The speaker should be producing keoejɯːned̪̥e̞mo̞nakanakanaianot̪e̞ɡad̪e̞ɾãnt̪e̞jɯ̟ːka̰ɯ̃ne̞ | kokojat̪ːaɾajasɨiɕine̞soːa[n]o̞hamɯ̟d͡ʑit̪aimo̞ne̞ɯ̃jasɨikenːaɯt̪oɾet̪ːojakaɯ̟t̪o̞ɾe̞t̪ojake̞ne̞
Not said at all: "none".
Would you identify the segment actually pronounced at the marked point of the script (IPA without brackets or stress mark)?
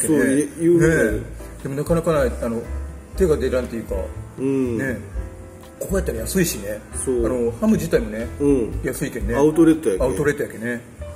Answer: n